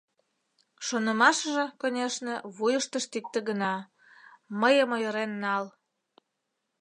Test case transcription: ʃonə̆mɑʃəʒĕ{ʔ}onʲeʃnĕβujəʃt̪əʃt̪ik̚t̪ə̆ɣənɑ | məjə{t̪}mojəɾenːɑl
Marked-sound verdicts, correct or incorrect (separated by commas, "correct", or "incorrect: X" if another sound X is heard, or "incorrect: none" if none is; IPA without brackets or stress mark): incorrect: k, incorrect: none